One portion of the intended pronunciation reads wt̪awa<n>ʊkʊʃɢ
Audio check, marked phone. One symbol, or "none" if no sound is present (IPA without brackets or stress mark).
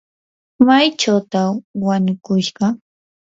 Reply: ɲ